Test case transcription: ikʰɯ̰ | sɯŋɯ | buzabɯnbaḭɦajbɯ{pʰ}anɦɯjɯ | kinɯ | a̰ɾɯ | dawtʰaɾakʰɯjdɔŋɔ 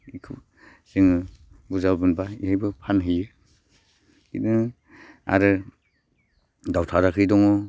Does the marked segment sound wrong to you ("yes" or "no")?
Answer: no